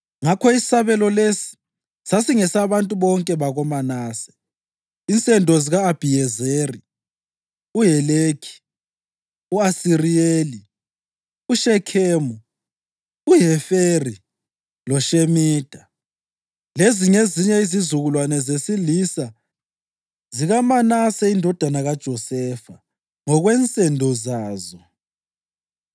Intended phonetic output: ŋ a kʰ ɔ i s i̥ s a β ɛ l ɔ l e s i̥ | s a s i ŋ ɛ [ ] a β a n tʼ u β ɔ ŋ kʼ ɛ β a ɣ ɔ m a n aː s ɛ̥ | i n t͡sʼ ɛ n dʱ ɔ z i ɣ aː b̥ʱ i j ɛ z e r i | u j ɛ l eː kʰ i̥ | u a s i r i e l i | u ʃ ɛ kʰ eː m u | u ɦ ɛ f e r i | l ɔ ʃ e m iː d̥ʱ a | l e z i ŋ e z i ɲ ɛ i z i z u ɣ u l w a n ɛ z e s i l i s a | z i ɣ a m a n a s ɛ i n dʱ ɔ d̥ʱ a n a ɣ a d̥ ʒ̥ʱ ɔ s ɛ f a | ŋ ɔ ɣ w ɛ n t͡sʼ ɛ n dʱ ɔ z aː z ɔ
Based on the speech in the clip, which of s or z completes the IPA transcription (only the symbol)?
s